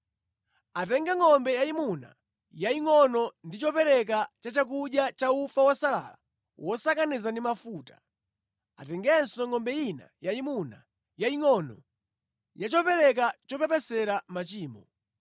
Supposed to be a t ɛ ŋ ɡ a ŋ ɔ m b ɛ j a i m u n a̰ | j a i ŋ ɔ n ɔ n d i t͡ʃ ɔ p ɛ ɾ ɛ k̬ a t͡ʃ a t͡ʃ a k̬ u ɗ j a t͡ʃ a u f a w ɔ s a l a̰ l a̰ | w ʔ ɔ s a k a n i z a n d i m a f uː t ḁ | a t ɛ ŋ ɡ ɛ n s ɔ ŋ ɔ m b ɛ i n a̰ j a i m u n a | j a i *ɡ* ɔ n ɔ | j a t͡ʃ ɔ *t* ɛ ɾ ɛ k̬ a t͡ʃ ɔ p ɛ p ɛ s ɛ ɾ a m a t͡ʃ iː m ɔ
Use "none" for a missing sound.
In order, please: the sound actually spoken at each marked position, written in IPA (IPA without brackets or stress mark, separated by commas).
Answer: ŋ, p